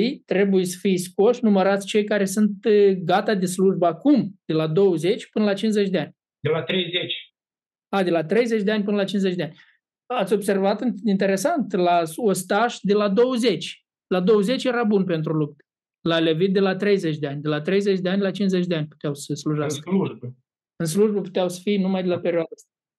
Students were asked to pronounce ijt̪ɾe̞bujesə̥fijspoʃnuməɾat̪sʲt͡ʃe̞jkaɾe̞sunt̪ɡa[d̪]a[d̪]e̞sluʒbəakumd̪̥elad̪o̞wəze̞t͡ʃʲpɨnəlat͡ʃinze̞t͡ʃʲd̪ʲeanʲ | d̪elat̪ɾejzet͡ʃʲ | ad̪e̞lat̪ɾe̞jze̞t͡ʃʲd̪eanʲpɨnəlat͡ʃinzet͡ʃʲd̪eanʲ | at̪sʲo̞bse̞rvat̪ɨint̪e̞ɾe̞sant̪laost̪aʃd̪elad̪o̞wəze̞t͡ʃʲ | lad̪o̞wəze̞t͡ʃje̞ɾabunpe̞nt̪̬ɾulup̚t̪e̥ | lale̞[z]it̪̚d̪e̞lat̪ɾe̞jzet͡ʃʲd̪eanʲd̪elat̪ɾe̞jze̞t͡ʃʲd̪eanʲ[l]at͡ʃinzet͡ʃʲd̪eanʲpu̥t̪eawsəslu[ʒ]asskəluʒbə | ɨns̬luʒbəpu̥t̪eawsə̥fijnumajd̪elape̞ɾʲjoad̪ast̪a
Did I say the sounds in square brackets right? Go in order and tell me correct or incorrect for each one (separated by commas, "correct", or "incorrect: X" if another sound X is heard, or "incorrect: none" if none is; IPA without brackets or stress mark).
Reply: incorrect: t̪, correct, incorrect: v, correct, correct